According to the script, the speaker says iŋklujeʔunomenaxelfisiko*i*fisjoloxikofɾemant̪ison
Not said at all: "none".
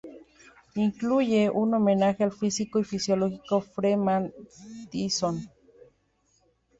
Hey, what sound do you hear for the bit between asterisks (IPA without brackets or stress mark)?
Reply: i